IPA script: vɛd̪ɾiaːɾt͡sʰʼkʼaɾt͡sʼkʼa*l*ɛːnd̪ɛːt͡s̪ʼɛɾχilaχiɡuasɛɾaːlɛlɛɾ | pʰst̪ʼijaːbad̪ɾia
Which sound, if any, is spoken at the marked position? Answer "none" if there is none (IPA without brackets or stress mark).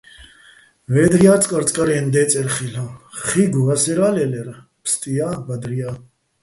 ɾ